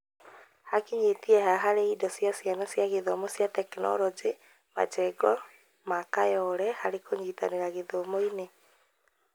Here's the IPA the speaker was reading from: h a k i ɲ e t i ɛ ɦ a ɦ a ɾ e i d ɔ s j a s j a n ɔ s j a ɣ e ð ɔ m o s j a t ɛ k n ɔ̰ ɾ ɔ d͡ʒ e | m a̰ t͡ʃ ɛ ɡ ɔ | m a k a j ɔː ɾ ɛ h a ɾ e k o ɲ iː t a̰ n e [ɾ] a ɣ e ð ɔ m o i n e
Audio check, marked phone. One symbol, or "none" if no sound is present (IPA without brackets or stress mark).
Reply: ɾ